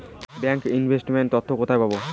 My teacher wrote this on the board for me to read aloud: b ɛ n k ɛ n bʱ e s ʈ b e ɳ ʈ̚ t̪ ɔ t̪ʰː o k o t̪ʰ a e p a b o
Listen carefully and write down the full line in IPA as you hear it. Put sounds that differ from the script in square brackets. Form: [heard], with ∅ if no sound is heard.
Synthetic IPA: b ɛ [ŋ] k [i] n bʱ e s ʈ [m] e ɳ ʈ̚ t̪ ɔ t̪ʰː o k o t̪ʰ a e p a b o